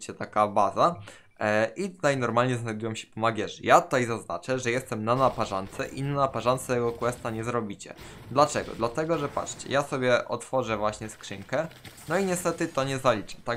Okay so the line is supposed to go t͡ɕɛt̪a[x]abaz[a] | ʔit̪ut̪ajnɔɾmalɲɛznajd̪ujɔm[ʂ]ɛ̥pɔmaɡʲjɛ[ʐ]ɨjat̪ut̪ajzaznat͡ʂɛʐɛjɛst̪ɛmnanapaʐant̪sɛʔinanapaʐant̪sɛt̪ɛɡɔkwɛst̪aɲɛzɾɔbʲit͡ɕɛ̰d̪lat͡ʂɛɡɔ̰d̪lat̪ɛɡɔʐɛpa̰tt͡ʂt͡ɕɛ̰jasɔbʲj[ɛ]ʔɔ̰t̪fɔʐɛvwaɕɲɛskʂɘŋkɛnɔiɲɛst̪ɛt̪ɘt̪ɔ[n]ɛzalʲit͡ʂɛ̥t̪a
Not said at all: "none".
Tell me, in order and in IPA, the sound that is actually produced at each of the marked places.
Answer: k, a, ɕ, ʐ, ɛ, ɲ

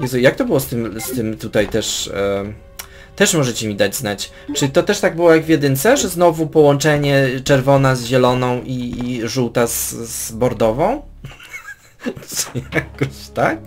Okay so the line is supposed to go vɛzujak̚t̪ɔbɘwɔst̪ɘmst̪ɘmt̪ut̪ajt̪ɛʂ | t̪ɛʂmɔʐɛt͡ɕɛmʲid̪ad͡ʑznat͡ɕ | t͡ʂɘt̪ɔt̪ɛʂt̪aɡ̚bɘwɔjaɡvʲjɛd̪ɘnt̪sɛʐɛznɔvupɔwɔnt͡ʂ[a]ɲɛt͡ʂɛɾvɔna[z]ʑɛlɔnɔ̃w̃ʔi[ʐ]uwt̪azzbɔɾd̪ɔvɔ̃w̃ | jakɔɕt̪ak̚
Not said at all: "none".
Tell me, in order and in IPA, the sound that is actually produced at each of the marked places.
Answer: ɛ, z, ʐ

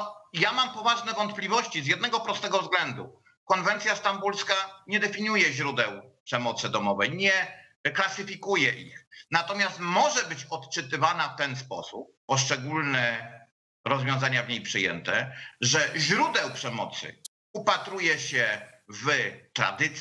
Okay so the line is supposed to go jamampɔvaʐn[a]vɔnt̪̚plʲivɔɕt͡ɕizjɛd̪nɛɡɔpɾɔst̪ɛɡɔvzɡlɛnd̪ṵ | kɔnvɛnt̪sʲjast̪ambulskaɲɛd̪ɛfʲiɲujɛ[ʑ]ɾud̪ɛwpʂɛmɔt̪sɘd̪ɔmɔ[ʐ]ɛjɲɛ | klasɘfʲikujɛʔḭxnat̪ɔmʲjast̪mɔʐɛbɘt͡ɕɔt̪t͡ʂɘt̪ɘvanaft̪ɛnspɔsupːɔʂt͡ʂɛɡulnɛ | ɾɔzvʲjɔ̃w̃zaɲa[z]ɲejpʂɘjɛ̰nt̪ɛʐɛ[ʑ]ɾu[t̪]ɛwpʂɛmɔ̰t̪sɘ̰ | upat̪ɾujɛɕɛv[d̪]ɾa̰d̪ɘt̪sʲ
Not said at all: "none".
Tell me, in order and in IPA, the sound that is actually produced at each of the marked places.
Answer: ɛ, ʑ, v, v, ʑ, d̪, t̪

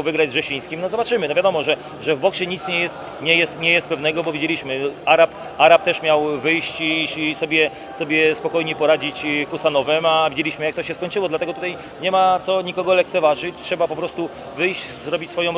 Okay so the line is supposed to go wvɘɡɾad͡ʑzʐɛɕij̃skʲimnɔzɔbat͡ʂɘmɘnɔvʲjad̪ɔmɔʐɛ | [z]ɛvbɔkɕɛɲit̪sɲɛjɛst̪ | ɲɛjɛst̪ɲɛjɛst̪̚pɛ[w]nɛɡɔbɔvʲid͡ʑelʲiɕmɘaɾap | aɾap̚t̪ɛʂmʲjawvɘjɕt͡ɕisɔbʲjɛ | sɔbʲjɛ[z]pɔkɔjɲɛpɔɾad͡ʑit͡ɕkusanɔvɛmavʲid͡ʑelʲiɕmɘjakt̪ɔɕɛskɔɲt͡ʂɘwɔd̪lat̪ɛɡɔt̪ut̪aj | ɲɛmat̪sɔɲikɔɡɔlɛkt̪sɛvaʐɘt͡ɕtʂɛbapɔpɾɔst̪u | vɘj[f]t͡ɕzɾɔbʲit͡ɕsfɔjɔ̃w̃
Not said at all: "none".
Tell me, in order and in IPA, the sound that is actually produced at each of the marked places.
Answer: ʐ, v, s, ɕ

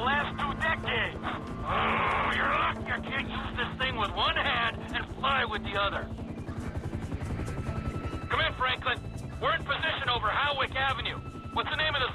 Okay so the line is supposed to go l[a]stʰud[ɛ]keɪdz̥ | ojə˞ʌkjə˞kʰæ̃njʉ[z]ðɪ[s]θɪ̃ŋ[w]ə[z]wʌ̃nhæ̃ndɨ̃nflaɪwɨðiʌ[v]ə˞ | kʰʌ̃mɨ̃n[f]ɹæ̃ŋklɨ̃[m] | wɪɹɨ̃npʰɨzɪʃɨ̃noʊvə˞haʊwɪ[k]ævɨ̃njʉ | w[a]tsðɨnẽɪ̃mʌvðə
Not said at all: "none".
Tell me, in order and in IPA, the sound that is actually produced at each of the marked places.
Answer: æ, ɛ, z, s, w, ð, ð, f, n, k, ʌ

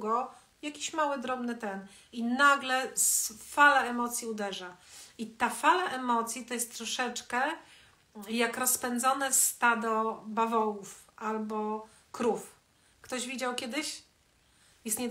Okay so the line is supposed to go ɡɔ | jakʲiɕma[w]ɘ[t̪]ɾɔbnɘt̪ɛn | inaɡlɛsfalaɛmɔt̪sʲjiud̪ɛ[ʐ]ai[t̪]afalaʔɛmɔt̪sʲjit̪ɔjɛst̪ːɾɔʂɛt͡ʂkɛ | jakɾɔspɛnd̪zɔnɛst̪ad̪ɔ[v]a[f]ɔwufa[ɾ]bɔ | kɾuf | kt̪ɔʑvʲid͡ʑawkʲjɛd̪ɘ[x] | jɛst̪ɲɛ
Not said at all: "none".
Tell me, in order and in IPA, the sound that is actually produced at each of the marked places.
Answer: w, d̪, ʐ, t̪, b, v, l, ɕ

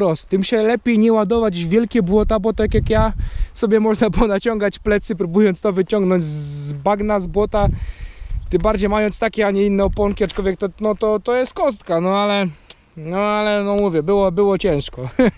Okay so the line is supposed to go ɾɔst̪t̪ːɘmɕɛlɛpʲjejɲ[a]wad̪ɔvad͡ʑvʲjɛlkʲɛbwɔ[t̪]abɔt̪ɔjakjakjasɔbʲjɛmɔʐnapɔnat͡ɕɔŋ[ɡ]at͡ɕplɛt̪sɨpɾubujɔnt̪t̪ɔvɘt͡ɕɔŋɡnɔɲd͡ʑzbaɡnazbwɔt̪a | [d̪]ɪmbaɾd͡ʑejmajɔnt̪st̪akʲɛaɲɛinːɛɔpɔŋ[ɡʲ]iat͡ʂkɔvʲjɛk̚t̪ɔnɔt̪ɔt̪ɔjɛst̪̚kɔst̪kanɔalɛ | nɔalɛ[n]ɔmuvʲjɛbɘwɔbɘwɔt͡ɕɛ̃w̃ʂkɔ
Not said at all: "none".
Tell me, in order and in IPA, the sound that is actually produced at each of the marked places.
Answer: ɛ, t̪, ɡ, t̪, kʲ, n

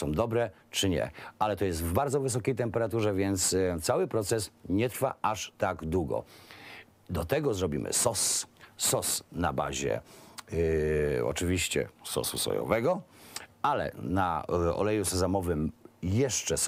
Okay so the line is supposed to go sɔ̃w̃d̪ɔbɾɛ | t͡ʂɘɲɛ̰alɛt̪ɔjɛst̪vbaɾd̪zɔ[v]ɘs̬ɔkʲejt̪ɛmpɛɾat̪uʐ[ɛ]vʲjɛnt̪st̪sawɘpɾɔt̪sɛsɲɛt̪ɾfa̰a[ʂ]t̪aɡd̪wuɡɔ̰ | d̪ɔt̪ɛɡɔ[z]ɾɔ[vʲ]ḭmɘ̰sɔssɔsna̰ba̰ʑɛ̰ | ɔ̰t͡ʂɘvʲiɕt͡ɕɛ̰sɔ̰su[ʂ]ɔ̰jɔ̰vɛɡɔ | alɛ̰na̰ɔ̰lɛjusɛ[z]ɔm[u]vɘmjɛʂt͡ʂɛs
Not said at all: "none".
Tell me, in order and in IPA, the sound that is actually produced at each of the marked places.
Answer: v, ɛ, ʂ, z, bʲ, s, z, ɔ

